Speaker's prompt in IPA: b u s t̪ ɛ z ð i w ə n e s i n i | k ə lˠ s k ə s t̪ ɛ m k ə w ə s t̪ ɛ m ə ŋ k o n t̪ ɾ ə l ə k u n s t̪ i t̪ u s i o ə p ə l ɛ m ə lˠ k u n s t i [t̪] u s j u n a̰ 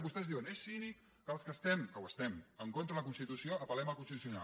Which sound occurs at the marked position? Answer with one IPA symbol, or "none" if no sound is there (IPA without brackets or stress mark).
t̪